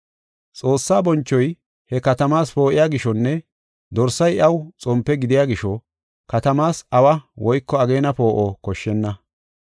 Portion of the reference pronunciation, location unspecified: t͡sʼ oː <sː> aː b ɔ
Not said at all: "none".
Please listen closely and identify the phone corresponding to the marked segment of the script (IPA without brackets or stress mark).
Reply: sː